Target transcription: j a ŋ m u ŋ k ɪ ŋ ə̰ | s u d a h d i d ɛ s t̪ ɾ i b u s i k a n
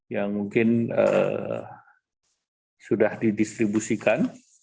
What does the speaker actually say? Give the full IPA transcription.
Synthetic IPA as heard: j a ŋ m u ŋ k ɪ n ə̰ | s u d a h d i d i s t̪ ɾ i b u s i k a n